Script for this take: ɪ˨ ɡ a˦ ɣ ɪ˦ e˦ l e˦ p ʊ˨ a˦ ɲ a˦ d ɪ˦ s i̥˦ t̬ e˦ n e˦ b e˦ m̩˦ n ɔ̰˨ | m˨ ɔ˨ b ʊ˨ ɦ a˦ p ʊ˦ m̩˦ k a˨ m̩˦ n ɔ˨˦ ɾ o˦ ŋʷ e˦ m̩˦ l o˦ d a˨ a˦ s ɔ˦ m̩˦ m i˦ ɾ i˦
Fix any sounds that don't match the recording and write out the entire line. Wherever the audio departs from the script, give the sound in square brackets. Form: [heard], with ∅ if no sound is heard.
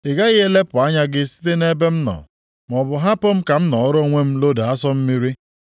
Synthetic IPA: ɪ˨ ɡ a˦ ɣ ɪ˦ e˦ l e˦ p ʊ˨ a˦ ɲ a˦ [ɡ] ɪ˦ s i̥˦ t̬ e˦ n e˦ b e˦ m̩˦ n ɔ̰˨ | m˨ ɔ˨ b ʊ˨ ɦ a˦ p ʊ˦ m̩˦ k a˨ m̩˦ n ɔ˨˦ ɾ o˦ ŋʷ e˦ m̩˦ l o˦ d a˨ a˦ s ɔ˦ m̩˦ m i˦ ɾ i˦